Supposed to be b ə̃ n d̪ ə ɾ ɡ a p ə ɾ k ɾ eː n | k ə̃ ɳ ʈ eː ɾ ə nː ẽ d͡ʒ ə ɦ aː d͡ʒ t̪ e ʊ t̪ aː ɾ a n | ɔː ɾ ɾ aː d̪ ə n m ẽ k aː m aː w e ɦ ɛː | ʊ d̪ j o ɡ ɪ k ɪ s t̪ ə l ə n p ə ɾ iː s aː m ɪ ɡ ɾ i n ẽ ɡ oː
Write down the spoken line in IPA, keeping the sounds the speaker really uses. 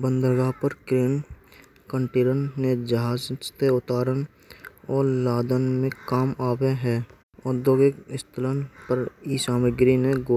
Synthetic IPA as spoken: b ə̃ n d̪ ə ɾ ɡ a p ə ɾ k ɾ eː n | k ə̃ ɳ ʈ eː ɾ ə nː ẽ d͡ʒ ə ɦ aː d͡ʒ t̪ e ʊ t̪ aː ɾ ə n | ɔː ɾ l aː d̪ ə n m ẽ k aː m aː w e ɦ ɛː | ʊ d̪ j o ɡ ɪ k ɪ s t̪ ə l ə n p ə ɾ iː s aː m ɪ ɡ ɾ i n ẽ ɡ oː